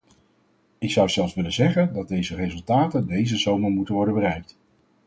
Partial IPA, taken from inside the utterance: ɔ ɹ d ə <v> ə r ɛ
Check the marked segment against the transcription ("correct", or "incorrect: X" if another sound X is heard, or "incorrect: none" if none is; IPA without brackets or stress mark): incorrect: b